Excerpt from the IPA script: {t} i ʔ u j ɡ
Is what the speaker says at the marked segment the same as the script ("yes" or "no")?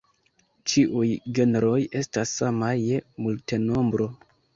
no